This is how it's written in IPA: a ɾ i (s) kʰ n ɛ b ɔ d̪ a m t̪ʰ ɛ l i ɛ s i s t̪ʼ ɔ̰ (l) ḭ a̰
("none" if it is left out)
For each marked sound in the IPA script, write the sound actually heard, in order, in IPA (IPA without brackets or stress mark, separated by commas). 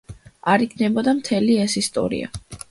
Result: none, ɾ